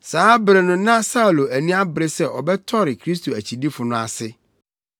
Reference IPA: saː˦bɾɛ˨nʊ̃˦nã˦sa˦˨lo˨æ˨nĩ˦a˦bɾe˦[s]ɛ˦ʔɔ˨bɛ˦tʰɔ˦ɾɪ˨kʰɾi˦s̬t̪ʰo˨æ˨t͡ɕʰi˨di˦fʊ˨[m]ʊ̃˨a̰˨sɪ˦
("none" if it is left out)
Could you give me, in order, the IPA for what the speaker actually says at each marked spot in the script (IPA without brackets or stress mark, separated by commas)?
s, n